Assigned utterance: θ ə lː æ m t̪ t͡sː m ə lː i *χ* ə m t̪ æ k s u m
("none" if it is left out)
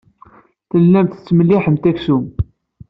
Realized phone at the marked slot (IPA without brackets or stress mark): ħ